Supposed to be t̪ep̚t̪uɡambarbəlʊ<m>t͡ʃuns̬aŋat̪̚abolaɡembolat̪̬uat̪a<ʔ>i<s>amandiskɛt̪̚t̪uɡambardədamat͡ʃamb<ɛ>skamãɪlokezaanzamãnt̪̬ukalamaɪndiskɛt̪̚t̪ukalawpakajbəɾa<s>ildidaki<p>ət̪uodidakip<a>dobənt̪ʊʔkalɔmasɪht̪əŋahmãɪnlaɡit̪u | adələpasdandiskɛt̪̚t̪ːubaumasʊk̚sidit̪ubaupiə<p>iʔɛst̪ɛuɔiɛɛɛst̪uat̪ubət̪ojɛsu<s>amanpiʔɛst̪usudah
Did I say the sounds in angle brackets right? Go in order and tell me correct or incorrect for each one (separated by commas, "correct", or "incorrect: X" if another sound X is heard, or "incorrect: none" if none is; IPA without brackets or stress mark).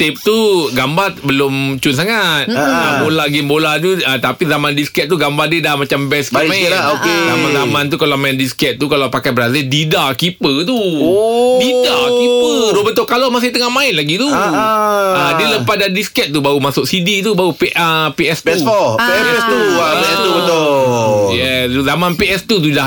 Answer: correct, incorrect: p, incorrect: z, correct, incorrect: z, correct, incorrect: ə, correct, incorrect: z